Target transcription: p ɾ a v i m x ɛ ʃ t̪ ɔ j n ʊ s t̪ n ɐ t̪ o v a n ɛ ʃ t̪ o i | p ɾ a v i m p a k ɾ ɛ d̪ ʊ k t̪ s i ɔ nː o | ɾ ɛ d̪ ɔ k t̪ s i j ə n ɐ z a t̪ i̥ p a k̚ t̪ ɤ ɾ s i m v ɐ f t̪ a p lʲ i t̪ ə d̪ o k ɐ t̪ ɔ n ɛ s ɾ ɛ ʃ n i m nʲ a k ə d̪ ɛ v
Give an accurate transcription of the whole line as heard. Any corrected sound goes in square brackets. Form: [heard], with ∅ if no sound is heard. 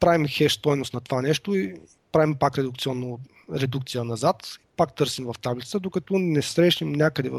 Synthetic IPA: p ɾ a v i m x ɛ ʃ t̪ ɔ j n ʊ s t̪ n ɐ t̪ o v a n ɛ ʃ t̪ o i | p ɾ a v i m p a k ɾ ɛ d̪ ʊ k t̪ s i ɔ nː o | ɾ ɛ d̪ [u] k t̪ s i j ə n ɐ z a t̪ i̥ p a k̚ t̪ ɤ ɾ s i m v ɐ f t̪ a [b] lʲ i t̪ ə d̪ o k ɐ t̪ ɔ n ɛ s ɾ ɛ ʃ n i m nʲ a k ə d̪ ɛ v